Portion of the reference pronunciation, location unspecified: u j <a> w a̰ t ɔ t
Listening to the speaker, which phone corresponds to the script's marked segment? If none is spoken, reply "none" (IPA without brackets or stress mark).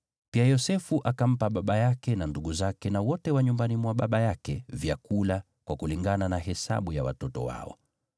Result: a